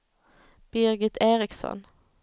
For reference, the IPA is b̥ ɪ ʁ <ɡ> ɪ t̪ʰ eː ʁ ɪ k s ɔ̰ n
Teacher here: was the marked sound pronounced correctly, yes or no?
yes